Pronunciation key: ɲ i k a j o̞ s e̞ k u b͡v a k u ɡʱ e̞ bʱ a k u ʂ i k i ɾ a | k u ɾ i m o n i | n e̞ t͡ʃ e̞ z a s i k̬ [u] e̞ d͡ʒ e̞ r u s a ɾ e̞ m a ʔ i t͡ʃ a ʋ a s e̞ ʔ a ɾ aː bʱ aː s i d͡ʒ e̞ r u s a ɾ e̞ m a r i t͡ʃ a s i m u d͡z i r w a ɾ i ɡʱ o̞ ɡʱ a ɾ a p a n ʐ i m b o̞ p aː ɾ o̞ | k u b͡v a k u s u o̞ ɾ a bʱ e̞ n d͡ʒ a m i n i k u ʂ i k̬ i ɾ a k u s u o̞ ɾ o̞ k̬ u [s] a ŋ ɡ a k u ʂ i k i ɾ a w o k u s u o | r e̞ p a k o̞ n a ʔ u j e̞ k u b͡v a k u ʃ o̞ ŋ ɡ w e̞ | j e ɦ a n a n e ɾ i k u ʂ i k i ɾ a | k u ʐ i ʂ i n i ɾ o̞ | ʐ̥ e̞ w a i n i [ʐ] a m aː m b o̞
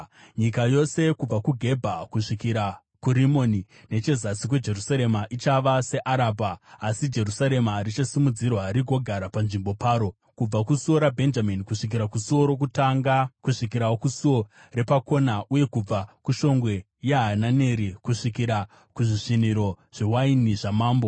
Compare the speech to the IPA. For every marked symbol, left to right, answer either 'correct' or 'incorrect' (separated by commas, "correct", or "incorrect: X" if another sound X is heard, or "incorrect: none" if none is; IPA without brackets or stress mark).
incorrect: w, incorrect: t, correct